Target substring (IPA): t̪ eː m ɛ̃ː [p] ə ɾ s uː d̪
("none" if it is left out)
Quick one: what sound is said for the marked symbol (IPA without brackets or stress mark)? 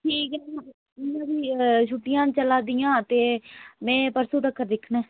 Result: p